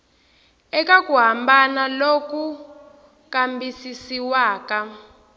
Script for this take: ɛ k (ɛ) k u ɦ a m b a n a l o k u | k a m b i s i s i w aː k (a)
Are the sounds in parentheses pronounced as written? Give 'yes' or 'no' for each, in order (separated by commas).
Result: no, yes